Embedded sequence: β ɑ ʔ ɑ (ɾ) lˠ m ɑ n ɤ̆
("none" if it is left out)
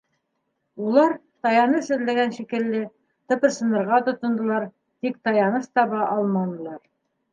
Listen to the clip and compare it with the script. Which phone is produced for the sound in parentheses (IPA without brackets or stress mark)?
none